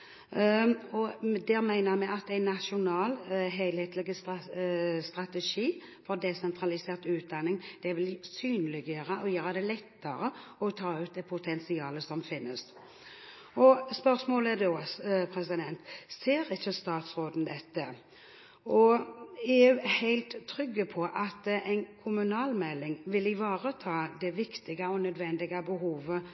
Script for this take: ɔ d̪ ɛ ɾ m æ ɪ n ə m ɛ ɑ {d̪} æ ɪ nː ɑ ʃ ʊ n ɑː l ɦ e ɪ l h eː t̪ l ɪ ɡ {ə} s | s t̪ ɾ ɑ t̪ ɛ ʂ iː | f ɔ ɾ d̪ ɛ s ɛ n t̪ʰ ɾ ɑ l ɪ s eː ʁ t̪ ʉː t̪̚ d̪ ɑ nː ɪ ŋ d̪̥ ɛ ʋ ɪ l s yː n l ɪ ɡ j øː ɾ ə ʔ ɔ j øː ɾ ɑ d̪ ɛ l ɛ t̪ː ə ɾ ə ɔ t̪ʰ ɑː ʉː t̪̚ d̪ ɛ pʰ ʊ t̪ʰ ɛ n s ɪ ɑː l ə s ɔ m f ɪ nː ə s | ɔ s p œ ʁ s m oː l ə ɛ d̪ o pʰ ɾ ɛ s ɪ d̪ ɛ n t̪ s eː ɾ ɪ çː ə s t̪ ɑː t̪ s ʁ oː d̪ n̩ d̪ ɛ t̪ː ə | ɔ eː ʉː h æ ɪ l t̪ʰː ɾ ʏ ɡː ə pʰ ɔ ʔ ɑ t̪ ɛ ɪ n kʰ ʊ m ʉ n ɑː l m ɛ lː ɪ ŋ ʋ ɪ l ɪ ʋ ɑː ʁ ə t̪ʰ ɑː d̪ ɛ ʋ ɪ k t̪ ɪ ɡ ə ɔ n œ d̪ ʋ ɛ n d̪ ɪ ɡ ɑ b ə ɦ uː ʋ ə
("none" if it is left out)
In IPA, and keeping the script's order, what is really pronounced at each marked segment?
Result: t̪, ə

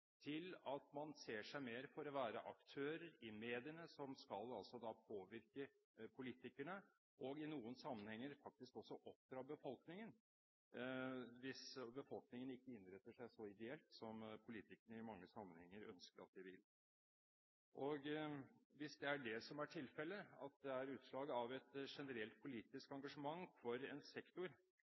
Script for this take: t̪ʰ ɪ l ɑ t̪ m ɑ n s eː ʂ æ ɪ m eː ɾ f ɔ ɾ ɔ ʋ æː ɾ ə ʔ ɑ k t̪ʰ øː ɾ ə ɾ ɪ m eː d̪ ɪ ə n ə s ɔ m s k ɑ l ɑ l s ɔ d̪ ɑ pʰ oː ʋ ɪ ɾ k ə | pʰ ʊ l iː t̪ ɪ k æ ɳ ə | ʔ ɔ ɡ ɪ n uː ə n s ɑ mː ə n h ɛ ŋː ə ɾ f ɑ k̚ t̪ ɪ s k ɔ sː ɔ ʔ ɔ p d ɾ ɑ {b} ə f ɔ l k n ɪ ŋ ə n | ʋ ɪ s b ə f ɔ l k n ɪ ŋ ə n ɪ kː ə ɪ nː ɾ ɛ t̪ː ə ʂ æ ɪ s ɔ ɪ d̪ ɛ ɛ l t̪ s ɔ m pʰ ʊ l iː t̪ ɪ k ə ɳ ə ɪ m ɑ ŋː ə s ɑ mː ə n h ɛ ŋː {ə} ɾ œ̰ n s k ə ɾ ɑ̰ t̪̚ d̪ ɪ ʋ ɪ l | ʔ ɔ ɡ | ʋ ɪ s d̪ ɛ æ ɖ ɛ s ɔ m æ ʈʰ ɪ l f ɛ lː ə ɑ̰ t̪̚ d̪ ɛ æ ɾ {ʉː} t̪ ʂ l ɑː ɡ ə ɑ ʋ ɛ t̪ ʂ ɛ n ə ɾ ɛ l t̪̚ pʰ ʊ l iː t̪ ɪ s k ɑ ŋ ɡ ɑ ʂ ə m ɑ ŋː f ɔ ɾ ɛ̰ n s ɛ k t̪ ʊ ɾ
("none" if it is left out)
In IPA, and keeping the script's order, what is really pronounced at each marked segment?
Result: b, ə, ʉː

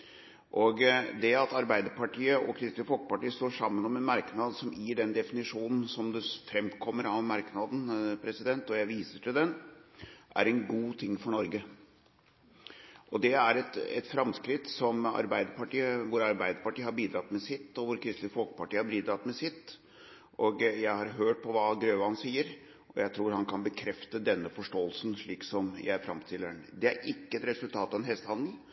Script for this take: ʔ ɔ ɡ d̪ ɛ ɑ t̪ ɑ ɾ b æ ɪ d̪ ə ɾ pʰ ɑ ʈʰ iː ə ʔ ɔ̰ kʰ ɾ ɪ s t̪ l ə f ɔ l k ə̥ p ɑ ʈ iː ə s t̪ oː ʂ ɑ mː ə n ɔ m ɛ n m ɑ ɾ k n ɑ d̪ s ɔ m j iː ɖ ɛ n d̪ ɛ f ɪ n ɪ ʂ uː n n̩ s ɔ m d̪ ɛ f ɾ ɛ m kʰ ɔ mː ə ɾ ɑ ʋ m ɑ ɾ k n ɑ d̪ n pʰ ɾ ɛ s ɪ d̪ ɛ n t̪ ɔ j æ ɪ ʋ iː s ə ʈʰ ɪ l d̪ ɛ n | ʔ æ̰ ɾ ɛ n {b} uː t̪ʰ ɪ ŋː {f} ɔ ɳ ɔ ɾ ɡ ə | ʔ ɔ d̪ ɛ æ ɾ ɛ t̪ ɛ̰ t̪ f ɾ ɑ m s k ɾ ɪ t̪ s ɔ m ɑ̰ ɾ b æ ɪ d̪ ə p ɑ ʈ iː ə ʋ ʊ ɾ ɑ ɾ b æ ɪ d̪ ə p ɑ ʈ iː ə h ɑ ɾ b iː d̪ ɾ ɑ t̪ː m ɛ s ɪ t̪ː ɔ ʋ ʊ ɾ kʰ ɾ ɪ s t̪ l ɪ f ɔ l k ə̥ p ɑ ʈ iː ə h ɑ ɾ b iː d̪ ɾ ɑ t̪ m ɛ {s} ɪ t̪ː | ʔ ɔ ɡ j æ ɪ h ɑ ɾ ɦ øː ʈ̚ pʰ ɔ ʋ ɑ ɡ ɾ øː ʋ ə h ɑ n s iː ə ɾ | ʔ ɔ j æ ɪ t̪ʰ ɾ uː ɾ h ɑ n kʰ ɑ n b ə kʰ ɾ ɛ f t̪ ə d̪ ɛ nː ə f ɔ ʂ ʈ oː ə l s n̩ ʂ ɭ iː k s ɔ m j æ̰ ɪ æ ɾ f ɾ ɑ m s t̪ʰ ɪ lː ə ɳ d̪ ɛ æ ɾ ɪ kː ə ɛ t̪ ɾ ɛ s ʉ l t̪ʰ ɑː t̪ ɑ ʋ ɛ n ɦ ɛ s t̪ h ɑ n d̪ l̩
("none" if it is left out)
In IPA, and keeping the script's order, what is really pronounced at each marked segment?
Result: ɡ, f, s

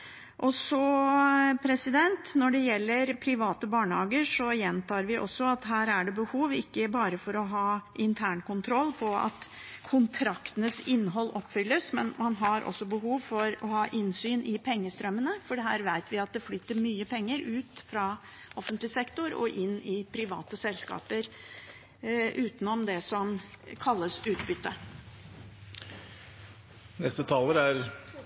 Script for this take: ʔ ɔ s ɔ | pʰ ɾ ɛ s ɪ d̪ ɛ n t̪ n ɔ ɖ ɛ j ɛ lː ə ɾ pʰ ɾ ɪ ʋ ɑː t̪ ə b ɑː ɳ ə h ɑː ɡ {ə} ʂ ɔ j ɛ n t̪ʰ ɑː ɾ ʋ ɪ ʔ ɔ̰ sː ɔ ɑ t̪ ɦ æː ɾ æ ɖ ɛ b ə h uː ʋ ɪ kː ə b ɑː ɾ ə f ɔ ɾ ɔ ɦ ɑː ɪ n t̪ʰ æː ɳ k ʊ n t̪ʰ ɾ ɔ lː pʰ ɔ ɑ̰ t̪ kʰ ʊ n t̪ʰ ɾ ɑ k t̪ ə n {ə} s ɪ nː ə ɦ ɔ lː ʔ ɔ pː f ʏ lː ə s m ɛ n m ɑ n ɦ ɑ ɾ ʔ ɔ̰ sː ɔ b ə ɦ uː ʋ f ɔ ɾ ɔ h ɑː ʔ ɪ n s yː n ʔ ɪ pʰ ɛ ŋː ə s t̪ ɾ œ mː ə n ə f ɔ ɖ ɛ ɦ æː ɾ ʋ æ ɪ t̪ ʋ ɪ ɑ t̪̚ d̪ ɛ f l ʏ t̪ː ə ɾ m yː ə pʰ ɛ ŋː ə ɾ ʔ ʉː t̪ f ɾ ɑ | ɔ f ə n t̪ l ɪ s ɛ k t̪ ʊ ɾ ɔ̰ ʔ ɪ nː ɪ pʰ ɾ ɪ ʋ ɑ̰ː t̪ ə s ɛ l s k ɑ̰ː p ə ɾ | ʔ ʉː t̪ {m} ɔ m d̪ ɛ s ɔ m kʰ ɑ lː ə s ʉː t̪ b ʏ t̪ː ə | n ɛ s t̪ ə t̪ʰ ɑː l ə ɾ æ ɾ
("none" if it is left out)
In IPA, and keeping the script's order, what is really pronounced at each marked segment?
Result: ə, ə, n

